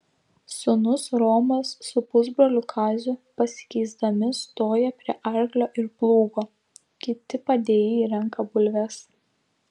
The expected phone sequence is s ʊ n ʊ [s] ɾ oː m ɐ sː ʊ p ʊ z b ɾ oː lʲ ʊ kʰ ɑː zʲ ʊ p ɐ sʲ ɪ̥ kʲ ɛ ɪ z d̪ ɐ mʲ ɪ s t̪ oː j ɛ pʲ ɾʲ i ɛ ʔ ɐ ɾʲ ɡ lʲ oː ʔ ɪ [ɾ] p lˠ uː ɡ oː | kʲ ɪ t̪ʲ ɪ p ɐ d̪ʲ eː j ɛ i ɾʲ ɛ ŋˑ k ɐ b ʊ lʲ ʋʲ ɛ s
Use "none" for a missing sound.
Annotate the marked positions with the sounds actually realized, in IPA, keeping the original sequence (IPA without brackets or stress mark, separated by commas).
s, ɾ